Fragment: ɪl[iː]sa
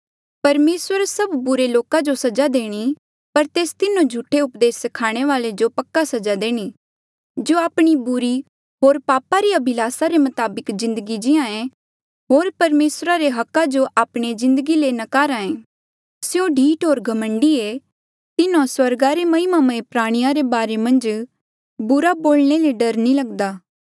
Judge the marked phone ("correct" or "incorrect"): incorrect